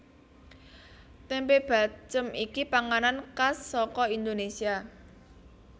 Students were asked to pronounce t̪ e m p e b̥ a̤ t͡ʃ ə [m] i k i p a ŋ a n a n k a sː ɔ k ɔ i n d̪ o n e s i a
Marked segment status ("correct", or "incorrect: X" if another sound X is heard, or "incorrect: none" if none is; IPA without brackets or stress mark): correct